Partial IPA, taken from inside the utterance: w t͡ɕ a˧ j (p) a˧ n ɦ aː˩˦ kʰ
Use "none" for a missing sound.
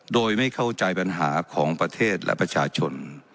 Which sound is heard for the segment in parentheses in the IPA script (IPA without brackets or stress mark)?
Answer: p